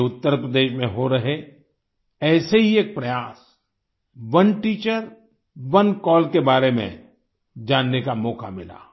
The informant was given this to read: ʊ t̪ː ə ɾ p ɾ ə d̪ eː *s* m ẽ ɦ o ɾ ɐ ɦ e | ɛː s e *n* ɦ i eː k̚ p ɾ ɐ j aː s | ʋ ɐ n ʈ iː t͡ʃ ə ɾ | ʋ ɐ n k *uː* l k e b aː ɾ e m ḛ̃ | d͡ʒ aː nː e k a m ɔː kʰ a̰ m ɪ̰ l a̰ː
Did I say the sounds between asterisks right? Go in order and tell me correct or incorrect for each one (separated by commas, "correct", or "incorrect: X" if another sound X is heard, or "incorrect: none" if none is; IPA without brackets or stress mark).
incorrect: ʃ, incorrect: none, incorrect: ɔː